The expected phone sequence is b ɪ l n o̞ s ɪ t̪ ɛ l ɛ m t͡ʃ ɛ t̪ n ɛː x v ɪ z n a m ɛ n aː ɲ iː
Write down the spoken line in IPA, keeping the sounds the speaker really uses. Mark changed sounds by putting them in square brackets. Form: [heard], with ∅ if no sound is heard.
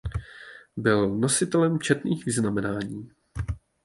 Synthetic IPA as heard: b ɪ l n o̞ s ɪ t̪ ɛ l ɛ m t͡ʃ ɛ t̪ n [iː] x v ɪ z n a m ɛ n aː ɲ iː